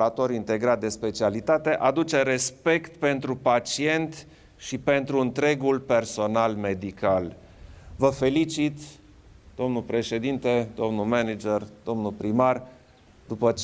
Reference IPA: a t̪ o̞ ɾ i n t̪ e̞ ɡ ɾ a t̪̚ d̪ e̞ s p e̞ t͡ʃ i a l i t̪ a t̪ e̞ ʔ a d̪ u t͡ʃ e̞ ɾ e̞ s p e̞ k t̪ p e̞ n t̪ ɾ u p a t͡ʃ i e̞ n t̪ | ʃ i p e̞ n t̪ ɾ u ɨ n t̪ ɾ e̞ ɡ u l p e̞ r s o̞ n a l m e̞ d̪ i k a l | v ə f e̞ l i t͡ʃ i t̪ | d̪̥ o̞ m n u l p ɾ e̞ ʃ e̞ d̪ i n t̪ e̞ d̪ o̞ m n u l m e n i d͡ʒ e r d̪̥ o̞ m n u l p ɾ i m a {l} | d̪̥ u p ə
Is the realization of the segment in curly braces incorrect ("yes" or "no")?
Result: yes